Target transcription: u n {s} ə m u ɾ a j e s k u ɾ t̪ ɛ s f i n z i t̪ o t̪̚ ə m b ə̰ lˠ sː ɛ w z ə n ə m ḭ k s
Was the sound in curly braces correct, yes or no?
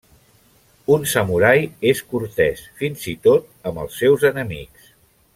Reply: yes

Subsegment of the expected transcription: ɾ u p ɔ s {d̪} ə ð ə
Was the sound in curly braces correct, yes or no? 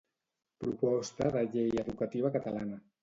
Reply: no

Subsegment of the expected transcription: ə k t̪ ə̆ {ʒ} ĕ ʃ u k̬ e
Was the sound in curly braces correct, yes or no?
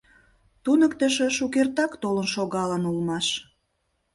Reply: no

